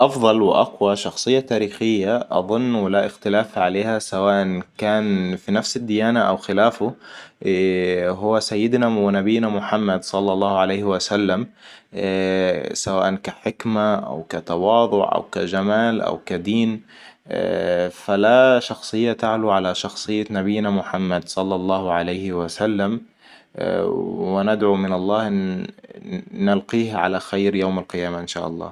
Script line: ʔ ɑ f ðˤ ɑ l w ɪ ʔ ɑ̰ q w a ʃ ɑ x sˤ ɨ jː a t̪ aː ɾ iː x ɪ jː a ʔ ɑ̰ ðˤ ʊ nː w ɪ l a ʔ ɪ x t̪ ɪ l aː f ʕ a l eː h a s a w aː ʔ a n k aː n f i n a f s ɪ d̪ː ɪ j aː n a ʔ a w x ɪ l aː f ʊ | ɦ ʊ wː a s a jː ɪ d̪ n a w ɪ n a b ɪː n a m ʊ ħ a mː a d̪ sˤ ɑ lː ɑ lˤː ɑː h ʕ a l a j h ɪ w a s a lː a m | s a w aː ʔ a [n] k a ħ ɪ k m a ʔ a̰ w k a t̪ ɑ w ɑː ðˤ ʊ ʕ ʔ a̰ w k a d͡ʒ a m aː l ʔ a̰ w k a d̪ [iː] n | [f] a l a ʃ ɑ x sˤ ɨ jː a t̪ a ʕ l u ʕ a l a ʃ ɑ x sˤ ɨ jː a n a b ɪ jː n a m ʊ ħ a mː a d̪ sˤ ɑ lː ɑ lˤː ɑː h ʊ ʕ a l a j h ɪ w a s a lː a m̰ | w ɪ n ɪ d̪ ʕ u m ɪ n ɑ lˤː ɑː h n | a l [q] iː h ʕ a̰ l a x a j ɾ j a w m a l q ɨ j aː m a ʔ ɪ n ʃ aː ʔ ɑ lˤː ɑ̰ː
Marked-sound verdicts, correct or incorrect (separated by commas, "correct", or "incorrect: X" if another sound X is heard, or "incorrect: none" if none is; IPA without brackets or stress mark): correct, correct, correct, correct